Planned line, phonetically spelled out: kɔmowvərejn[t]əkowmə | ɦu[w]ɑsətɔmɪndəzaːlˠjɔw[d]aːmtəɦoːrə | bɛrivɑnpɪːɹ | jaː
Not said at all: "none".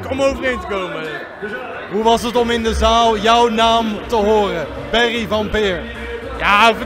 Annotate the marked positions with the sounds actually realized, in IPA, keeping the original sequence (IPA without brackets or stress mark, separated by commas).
t, ʋ, n